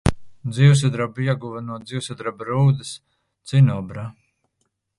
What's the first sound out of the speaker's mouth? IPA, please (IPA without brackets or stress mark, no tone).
d̪